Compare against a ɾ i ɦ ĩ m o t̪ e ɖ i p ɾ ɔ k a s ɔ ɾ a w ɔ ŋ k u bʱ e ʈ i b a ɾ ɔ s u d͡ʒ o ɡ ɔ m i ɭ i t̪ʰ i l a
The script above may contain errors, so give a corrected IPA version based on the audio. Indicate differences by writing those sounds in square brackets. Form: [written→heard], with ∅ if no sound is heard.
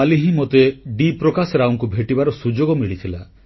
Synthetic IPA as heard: a [ɾ→l] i ɦ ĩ m o t̪ e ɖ i p ɾ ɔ k a s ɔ ɾ a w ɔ ŋ k u bʱ e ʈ i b a ɾ ɔ s u d͡ʒ o ɡ ɔ m i ɭ i t̪ʰ i l a